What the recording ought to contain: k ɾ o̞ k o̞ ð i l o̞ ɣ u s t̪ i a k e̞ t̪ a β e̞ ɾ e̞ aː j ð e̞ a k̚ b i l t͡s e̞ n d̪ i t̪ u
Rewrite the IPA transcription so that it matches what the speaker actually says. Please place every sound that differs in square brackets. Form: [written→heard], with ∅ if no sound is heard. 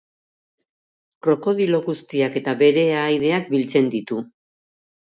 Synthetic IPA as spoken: k ɾ o̞ k o̞ ð i l o̞ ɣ u s t̪ i a k e̞ t̪ a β e̞ ɾ e̞ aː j ð e̞ a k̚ b i l t͡s e̞ n d̪ i t̪ u